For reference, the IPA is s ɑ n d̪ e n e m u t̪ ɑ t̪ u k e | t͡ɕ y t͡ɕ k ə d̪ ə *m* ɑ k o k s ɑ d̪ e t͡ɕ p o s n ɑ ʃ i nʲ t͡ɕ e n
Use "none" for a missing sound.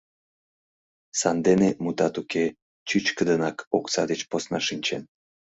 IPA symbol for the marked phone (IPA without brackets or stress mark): n